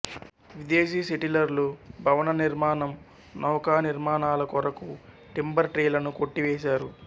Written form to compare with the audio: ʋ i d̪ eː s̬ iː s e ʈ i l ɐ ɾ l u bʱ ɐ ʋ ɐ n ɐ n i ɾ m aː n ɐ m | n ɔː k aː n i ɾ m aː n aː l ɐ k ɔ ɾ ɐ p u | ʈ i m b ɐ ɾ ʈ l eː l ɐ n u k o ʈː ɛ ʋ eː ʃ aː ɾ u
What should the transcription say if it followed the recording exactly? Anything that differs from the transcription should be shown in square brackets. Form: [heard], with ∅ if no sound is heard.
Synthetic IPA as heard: ʋ i d̪ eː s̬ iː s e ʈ i l ɐ ɾ l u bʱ ɐ ʋ ɐ n ɐ n i ɾ m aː n ɐ m | n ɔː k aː n i ɾ m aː n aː l ɐ k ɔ ɾ ɐ [k] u | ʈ i m b ɐ ɾ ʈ [ɾ] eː l ɐ n u k o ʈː [i] ʋ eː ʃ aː ɾ u

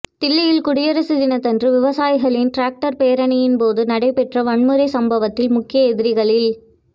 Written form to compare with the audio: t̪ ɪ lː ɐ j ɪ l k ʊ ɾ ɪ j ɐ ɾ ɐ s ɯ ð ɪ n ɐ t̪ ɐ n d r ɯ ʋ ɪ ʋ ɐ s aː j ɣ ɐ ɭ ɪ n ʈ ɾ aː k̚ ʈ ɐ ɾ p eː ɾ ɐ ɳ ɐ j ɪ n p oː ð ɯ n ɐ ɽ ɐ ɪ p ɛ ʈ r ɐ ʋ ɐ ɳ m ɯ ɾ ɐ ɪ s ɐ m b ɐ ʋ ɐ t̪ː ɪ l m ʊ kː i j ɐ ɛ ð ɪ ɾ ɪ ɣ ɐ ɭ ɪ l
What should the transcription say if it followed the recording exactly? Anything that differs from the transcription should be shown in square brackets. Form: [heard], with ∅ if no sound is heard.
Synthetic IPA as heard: t̪ ɪ lː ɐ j ɪ l k ʊ [ɽ] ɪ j ɐ ɾ ɐ s ɯ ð ɪ n ɐ t̪ ɐ n d r ɯ ʋ ɪ ʋ ɐ s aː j ɣ ɐ ɭ ɪ n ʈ ɾ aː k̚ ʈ ɐ ɾ p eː ɾ ɐ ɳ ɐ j ɪ n p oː ð ɯ n ɐ ɽ ɐ ɪ p ɛ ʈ r ɐ ʋ ɐ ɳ m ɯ ɾ ɐ ɪ s ɐ m b ɐ ʋ ɐ t̪ː ɪ l m ʊ kː [ɪ] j ɐ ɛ ð ɪ ɾ ɪ ɣ ɐ ɭ ɪ l

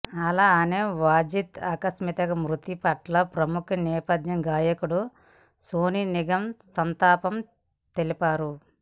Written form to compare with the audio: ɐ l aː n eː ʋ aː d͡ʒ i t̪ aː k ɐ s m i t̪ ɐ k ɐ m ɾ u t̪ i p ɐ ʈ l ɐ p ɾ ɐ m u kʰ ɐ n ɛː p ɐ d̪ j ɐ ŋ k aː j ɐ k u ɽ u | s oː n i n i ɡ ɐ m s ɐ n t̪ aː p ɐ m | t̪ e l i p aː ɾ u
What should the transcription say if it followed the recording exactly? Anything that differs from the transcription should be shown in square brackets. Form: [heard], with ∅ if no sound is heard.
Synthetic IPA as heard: ɐ l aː n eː ʋ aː d͡ʒ i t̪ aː k ɐ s m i t̪ ɐ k ɐ m ɾ u t̪ i p ɐ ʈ l ɐ p ɾ ɐ m u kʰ ɐ n ɛː p ɐ d̪ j ɐ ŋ [ɡ] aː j ɐ k u ɽ u | s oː n i n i ɡ ɐ m s ɐ n t̪ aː p ɐ m | t̪ e l i p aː ɾ u

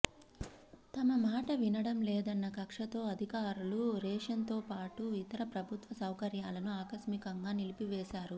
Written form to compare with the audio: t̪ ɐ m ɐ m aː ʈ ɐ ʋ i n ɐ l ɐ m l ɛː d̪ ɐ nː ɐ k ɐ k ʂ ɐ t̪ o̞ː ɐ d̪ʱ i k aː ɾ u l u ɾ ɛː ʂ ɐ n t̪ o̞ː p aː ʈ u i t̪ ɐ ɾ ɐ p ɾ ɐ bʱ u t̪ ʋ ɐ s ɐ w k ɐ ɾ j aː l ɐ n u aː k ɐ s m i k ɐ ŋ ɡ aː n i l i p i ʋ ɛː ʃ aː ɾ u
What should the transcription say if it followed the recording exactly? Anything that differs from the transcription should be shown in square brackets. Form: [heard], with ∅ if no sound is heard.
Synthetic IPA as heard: t̪ ɐ m ɐ m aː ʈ ɐ ʋ i n ɐ [ɽ] ɐ m l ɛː d̪ ɐ nː ɐ k ɐ k ʂ ɐ t̪ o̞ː ɐ d̪ʱ i k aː ɾ u l u ɾ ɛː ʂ ɐ n t̪ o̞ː p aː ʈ u i t̪ ɐ ɾ ɐ p ɾ ɐ bʱ u t̪ ʋ ɐ s ɐ w k ɐ ɾ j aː l ɐ n u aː k ɐ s m i k ɐ ŋ ɡ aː n i l i p i ʋ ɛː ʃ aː ɾ u

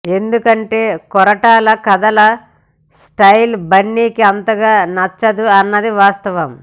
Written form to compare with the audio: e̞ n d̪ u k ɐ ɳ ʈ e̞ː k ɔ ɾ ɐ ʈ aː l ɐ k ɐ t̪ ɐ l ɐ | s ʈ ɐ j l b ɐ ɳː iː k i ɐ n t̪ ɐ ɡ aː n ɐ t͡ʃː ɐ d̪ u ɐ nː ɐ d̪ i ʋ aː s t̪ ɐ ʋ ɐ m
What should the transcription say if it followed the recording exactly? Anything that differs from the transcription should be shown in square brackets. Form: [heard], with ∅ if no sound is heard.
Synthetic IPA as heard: e̞ n d̪ u k ɐ ɳ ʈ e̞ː k ɔ ɾ ɐ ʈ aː l ɐ k ɐ [d̪] ɐ l ɐ | s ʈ ɐ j l b ɐ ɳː iː k i ɐ n t̪ ɐ ɡ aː n ɐ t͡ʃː ɐ d̪ u ɐ nː ɐ d̪ i ʋ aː s t̪ ɐ ʋ ɐ m

